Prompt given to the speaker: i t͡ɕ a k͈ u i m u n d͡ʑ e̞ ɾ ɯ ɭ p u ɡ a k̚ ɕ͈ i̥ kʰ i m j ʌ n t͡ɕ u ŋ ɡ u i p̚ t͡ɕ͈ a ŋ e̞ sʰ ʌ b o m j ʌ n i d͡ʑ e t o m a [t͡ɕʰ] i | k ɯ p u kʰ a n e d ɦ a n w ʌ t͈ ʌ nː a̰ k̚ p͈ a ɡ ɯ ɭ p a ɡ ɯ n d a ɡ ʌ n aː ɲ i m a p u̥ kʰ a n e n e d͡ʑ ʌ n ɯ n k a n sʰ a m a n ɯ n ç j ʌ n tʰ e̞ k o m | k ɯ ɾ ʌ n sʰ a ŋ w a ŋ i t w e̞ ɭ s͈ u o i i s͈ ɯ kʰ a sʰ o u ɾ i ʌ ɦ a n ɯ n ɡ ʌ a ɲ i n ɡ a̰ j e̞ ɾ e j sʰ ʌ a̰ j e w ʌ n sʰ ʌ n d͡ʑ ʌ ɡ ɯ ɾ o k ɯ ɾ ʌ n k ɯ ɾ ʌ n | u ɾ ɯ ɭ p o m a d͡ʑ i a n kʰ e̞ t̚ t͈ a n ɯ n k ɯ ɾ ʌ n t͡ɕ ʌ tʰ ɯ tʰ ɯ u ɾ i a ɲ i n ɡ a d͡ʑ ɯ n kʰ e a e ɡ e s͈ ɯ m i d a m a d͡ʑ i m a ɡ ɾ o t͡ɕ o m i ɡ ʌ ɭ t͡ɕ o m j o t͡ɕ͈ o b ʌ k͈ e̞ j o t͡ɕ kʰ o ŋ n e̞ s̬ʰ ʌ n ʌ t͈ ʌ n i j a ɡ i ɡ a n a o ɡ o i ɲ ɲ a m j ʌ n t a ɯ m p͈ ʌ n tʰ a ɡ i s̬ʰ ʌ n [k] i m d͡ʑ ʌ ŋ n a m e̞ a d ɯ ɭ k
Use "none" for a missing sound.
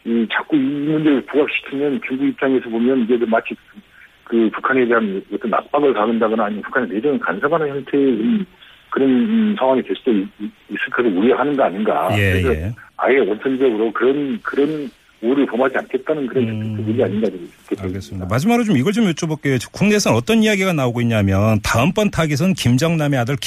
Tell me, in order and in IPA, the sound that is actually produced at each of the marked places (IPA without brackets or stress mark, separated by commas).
t͡ɕʰ, k